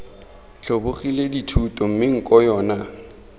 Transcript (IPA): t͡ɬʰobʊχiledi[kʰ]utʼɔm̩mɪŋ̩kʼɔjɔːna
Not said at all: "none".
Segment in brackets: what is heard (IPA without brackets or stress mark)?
tʰ